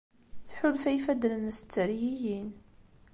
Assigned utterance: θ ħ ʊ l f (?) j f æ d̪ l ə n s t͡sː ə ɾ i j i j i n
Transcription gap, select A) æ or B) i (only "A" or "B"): A